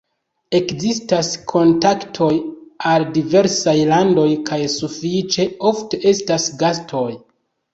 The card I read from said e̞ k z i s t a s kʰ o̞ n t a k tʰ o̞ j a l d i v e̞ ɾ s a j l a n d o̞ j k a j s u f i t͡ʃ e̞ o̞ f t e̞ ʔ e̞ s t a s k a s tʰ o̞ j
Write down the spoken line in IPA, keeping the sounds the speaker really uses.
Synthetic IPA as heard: e̞ k z i s t a s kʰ o̞ n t a k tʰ o̞ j a l d i v e̞ ɾ s a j l a n d o̞ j k a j s u f i t͡ʃ e̞ o̞ f t e̞ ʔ e̞ s t a s ɡ a s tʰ o̞ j